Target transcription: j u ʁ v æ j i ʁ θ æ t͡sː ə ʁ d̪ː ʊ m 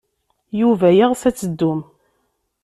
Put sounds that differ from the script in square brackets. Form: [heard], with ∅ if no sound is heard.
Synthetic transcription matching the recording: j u [∅] v æ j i ʁ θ æ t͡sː ə [∅] d̪ː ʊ m